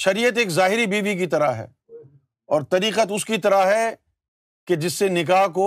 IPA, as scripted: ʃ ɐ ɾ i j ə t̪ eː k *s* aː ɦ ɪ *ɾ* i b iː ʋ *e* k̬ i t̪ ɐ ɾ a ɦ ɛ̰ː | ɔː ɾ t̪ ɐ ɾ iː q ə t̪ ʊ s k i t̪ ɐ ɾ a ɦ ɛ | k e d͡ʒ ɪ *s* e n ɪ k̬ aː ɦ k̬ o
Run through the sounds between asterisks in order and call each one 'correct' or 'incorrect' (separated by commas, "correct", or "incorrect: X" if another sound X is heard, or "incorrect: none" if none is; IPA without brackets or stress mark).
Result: incorrect: z, correct, incorrect: i, incorrect: sː